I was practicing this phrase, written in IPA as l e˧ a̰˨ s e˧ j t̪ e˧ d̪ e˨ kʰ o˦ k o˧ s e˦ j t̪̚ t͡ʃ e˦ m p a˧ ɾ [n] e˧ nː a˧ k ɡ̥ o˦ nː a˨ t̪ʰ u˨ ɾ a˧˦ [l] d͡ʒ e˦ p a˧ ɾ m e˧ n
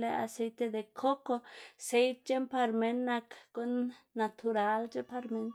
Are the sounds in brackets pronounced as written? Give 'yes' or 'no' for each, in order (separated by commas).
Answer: no, yes